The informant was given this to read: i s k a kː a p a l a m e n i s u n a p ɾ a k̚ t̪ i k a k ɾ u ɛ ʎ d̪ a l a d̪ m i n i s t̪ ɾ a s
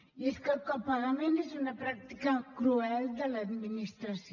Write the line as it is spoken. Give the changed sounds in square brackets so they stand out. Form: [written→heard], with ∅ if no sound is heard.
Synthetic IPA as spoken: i s k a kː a p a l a m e n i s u n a p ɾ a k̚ t̪ i k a k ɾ u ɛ [ʎ→l] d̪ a l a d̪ m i n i s t̪ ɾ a s